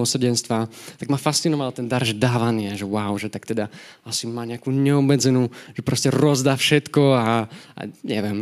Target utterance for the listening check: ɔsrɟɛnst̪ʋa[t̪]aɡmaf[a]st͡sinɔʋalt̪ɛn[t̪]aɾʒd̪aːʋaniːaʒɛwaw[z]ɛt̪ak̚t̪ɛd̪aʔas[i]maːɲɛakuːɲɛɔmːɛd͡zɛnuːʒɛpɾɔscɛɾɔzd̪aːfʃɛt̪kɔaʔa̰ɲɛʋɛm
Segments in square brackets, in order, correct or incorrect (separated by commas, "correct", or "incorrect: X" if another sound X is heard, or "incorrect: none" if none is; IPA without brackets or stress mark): correct, correct, incorrect: d̪, incorrect: ʒ, correct